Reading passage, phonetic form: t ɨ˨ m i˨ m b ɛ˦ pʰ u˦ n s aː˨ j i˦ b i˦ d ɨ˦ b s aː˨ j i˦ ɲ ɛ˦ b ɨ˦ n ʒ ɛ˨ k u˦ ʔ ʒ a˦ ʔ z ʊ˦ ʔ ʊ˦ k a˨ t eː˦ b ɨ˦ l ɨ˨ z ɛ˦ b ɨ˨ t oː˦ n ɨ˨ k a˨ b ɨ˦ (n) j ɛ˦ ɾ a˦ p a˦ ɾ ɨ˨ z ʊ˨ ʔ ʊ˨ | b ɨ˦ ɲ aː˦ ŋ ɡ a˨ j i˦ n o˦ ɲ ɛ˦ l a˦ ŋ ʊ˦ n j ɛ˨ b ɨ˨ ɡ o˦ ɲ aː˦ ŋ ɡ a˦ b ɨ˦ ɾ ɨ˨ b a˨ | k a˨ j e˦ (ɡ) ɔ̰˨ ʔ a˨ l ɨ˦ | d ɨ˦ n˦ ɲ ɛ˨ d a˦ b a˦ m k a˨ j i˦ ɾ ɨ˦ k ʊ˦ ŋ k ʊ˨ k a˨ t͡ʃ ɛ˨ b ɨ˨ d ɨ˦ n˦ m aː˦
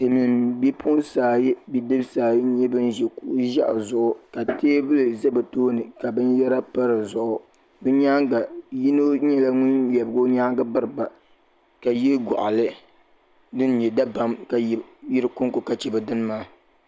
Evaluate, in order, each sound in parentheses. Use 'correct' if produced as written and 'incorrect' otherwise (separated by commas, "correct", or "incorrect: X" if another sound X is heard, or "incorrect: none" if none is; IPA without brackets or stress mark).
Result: correct, correct